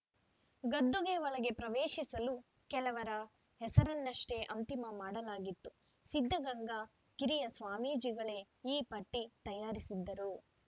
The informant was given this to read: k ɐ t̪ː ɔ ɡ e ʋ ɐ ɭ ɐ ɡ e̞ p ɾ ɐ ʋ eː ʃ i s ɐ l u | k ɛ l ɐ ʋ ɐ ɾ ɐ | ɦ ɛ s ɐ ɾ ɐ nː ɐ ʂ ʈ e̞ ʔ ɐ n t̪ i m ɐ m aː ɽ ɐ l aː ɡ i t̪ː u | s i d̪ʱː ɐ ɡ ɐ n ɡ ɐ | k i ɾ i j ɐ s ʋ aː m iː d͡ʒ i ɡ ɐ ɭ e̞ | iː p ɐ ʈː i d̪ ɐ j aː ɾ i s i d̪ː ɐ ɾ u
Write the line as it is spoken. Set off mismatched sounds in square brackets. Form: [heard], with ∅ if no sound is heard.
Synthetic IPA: [ɡ] ɐ [d̪ː] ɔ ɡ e ʋ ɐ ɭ ɐ ɡ e̞ p ɾ ɐ ʋ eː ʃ i s ɐ l u | k ɛ l ɐ ʋ ɐ ɾ ɐ | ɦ ɛ s ɐ ɾ ɐ nː ɐ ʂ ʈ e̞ ʔ ɐ n t̪ i m ɐ m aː ɽ ɐ l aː ɡ i t̪ː u | s i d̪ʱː ɐ ɡ ɐ [ŋ] ɡ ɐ | k i ɾ i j ɐ s ʋ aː m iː d͡ʒ i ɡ ɐ ɭ e̞ | iː p ɐ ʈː i [t̪] ɐ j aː ɾ i s i d̪ː ɐ ɾ u